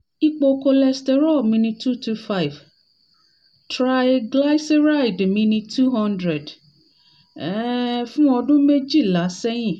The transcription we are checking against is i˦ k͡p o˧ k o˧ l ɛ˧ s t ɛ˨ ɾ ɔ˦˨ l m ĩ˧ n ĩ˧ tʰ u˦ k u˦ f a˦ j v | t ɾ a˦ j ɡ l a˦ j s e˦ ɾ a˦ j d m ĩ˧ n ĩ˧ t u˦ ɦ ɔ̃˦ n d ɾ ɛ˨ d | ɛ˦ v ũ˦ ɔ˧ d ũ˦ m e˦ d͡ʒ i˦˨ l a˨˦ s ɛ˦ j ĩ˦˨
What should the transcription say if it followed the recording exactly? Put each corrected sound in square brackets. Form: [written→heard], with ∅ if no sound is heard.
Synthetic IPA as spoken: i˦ k͡p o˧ k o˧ l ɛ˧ s t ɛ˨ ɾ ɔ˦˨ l m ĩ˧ n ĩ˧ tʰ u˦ [k→t] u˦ f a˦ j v | t ɾ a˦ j ɡ l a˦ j s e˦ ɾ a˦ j d m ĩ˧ n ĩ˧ t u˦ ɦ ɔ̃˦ n d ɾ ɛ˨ d | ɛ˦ [v→f] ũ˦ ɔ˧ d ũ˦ m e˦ d͡ʒ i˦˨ l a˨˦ s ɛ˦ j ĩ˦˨